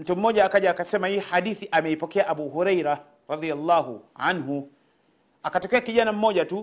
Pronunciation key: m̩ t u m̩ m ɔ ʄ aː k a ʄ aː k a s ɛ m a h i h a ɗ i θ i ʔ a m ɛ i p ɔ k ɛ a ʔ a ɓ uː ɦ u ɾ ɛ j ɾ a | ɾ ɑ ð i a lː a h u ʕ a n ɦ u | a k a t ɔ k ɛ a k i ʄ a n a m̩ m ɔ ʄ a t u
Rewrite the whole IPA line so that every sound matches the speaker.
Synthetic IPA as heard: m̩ t u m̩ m ɔ ʄ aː k a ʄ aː k a s ɛ m a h i h a ɗ i θ i ʔ a m ɛ i p ɔ k ɛ a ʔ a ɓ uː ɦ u ɾ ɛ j ɾ a | ɾ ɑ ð i a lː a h u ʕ a n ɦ u | a k a t ɔ k ɛ a k i ʄ a n a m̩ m ɔ ʄ a t u